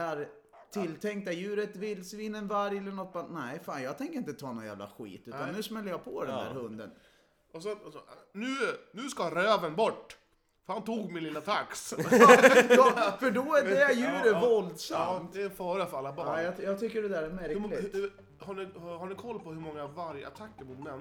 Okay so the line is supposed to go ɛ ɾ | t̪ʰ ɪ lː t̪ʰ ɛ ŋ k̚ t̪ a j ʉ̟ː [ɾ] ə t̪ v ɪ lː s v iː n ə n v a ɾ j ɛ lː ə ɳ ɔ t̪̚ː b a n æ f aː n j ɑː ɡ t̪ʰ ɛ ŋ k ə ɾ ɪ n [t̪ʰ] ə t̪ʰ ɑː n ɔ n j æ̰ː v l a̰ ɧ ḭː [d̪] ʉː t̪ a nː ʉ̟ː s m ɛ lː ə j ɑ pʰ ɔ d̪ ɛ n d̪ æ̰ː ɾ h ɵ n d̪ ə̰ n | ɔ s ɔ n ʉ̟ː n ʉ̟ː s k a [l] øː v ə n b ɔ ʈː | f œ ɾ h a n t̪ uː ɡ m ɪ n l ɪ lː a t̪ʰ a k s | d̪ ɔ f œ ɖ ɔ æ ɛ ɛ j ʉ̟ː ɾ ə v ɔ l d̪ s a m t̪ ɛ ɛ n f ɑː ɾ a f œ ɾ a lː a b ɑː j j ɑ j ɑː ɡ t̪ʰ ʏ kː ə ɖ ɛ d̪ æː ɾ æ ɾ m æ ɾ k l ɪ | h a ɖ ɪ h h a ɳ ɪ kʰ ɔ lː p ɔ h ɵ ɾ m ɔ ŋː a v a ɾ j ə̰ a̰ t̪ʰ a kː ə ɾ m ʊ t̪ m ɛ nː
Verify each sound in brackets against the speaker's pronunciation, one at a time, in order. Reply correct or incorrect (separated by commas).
correct, incorrect, incorrect, incorrect